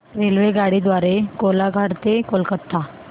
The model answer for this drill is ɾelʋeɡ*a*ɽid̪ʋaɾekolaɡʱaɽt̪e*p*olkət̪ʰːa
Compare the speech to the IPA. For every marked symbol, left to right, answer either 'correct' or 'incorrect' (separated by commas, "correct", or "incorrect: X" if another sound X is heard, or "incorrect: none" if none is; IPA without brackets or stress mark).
correct, incorrect: k